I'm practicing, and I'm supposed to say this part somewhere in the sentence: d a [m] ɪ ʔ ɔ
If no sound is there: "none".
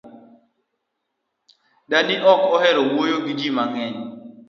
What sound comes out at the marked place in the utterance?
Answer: n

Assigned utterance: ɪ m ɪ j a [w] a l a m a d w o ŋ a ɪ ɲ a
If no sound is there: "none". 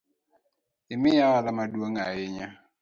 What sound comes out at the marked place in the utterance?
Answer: w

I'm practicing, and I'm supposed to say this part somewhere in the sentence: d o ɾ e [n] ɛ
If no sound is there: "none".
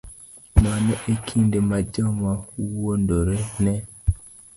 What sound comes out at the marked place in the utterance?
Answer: n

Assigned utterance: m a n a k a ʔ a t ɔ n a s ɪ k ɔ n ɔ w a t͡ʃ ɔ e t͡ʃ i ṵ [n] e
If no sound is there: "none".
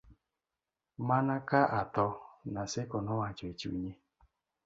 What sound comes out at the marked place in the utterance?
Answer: ɲ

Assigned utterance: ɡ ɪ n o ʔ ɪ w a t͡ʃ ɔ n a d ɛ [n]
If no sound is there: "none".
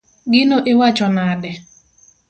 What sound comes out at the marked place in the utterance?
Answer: none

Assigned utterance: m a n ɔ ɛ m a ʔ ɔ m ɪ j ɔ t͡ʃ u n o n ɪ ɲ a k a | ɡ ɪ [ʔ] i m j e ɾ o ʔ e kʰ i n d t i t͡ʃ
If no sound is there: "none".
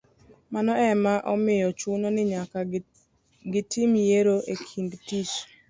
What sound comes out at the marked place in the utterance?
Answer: t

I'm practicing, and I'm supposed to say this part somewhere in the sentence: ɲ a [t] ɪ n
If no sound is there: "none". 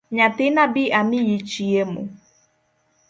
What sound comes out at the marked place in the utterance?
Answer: t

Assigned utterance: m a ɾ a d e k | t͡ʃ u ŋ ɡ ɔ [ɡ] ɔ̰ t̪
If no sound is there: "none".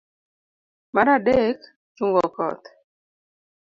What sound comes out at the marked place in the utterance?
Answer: k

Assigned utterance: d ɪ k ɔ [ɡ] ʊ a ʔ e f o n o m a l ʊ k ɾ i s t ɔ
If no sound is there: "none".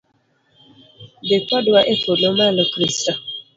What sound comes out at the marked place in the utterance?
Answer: d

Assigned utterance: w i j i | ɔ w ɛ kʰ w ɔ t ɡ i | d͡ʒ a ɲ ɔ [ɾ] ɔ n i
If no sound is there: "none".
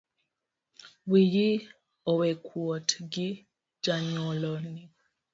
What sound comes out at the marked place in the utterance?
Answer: l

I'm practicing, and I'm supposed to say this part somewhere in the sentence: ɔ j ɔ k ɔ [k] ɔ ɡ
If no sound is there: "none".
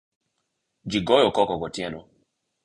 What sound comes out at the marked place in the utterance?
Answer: k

